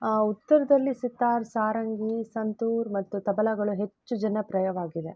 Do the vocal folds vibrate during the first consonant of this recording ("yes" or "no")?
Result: no